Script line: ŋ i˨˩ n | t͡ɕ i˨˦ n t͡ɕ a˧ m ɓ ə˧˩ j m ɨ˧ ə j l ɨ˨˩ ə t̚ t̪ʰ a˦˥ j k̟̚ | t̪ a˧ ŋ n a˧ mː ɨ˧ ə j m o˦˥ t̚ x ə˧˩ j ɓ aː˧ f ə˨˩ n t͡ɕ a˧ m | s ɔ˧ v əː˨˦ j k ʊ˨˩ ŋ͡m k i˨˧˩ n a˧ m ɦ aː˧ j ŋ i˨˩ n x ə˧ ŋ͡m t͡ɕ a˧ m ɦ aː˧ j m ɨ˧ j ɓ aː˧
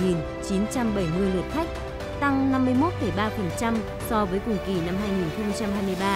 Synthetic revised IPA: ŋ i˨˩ n | t͡ɕ i˨˦ n t͡ɕ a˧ m ɓ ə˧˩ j m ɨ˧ ə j l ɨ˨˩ ə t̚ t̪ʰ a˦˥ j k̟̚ | t̪ a˧ ŋ n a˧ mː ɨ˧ ə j m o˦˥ t̚ f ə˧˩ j ɓ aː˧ f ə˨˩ n t͡ɕ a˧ m | s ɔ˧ v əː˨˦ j k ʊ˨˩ ŋ͡m k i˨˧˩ n a˧ m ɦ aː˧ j ŋ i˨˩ n x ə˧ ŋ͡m t͡ɕ a˧ m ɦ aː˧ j m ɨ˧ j ɓ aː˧